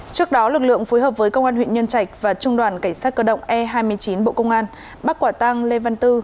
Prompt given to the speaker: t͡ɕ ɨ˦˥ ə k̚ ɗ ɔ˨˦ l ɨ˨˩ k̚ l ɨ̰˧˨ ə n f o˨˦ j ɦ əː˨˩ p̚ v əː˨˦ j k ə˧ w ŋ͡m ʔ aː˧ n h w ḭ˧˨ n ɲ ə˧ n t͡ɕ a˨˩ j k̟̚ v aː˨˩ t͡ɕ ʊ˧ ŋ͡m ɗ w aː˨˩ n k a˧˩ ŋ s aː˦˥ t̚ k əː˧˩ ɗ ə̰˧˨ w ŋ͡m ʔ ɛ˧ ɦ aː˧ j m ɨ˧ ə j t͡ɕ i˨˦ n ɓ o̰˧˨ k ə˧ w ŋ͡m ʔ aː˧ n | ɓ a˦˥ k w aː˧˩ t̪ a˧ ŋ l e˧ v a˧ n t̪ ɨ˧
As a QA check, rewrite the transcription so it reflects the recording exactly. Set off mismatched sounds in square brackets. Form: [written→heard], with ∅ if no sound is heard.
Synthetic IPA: t͡ɕ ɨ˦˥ ə k̚ ɗ ɔ˨˦ l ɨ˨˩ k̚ l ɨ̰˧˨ ə [n→ŋ] f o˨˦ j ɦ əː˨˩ p̚ v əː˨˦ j k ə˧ w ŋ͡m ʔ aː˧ n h w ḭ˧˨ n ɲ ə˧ n t͡ɕ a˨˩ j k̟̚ v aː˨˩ t͡ɕ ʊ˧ ŋ͡m ɗ w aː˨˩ n k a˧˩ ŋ s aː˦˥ t̚ k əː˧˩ ɗ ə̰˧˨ w ŋ͡m ʔ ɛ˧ ɦ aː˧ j m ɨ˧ ə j t͡ɕ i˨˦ n ɓ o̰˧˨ k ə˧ w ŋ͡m ʔ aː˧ n | ɓ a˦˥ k w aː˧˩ t̪ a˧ ŋ l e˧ v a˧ n t̪ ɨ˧